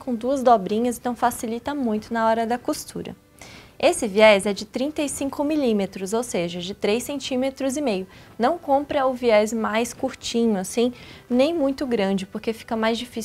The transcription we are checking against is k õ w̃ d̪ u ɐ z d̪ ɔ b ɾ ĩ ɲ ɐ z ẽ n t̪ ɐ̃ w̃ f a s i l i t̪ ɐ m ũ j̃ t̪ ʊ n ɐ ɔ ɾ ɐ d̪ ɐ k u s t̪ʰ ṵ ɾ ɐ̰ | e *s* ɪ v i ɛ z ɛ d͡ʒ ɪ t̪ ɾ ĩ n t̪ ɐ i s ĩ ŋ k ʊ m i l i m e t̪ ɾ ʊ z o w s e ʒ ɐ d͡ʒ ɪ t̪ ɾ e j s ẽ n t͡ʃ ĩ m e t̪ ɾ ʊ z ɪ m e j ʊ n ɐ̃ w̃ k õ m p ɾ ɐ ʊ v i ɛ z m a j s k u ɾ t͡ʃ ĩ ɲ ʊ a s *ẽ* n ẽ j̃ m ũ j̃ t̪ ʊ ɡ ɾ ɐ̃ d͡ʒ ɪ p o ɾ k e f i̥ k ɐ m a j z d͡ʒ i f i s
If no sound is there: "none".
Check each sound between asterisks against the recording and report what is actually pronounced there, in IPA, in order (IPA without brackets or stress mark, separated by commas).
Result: s, ĩ